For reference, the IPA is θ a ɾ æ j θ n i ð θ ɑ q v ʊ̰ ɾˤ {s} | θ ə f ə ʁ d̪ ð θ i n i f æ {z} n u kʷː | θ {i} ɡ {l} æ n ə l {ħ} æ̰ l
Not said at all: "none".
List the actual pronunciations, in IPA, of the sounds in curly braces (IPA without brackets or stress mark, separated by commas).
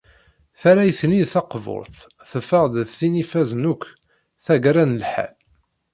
θ, z, æ, ɾ, ħ